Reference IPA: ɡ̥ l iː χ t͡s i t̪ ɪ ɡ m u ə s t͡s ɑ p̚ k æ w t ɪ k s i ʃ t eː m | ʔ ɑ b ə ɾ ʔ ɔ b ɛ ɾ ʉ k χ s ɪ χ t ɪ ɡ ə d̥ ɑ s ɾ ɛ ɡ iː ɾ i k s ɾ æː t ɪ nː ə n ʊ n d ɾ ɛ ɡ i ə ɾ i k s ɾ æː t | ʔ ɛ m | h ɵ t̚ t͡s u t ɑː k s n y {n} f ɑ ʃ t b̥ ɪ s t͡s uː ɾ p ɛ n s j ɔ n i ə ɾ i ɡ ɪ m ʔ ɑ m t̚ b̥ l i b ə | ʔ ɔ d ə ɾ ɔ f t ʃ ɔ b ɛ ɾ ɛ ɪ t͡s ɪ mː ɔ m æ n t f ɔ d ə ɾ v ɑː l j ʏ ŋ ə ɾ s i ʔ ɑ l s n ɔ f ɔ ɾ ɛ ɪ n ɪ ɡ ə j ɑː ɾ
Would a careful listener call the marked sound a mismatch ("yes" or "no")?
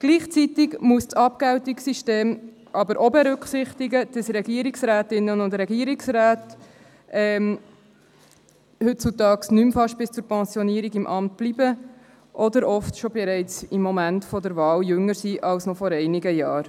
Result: yes